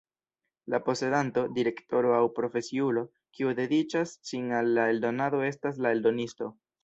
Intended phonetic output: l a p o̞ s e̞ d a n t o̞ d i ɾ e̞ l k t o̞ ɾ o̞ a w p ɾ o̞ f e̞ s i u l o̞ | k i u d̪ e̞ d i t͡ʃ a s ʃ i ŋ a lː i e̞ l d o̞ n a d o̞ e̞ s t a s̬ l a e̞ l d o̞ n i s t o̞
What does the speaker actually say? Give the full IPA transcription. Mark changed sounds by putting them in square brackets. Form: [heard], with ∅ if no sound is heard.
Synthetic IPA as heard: l a p o̞ s e̞ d a n t o̞ d i ɾ e̞ [∅] k t o̞ ɾ o̞ a w p ɾ o̞ f e̞ s i u l o̞ | k i u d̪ e̞ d i t͡ʃ a s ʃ i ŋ a lː [a] e̞ l d o̞ n a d o̞ e̞ s t a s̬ l a e̞ l d o̞ n i s t o̞

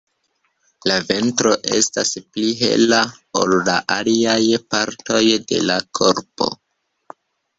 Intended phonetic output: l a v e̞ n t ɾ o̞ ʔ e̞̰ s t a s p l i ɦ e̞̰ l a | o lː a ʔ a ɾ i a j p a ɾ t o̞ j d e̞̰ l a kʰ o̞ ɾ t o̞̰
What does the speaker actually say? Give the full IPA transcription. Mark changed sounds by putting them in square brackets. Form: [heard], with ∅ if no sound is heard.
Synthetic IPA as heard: l a v e̞ n t ɾ o̞ ʔ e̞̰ s t a s p l i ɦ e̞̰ l a | o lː a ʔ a [l] i a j p a ɾ t o̞ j d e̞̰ l a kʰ o̞ ɾ [p] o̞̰

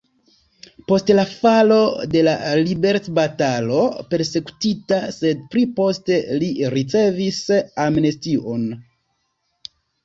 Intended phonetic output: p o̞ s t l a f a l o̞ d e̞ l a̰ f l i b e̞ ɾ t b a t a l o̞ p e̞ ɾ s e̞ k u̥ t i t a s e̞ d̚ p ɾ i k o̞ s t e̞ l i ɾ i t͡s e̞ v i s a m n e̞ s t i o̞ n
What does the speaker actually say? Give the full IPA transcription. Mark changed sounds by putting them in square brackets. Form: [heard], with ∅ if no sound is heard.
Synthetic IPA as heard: p o̞ s t l a f a l o̞ d e̞ l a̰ [∅] l i b e̞ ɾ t b a t a l o̞ p e̞ ɾ s e̞ k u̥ t i t a s e̞ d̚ p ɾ i [p] o̞ s t e̞ l i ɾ i t͡s e̞ v i s a m n e̞ s t i o̞ n

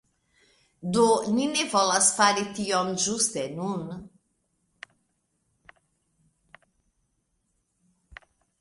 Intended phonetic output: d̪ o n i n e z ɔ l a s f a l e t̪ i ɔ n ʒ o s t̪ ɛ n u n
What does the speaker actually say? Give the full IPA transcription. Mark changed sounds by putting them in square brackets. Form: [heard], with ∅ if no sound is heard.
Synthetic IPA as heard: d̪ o n i n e [v] ɔ l a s f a [ɾ] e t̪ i ɔ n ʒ [u] s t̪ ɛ n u n

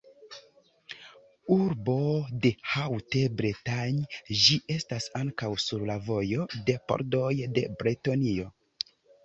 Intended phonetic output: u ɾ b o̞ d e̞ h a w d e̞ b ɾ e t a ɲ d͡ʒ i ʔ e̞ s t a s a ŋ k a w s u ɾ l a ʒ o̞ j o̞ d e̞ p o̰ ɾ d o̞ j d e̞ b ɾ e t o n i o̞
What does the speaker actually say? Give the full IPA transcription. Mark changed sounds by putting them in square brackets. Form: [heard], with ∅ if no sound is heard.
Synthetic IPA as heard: u ɾ b o̞ d e̞ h a w [t] e̞ b ɾ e t a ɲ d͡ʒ i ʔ e̞ s t a s a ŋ k a w s u ɾ l a [v] o̞ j o̞ d e̞ p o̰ ɾ d o̞ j d e̞ b ɾ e t o n i o̞

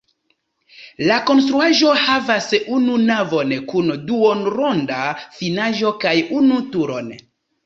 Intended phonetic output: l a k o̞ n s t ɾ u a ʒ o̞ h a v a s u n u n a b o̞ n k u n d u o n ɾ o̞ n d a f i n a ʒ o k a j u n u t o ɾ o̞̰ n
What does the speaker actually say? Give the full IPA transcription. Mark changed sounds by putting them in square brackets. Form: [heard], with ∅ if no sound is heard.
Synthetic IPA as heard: l a k o̞ n s t ɾ u a ʒ o̞ h a v a s u n u n a [v] o̞ n k u n d u o n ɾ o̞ n d a f i n a ʒ o k a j u n u t [u] ɾ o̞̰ n

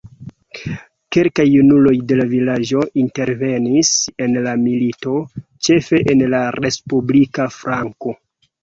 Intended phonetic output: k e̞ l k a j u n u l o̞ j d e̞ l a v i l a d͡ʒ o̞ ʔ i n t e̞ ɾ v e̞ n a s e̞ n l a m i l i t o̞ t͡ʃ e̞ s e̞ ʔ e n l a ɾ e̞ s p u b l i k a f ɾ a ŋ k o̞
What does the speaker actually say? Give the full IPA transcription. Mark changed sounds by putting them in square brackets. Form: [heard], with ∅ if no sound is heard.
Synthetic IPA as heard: k e̞ l k a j u n u l o̞ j d e̞ l a v i l a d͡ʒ o̞ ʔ i n t e̞ ɾ v e̞ n [i] s e̞ n l a m i l i t o̞ t͡ʃ e̞ [f] e̞ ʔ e n l a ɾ e̞ s p u b l i k a f ɾ a ŋ k o̞

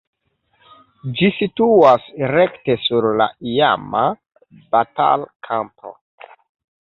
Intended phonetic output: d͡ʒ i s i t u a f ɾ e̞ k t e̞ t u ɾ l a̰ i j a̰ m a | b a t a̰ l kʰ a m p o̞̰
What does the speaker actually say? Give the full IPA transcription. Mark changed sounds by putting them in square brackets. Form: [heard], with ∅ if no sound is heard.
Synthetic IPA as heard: d͡ʒ i s i t u a [s] ɾ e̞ k t e̞ [s] u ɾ l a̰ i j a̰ m a | b a t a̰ l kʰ a m p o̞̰

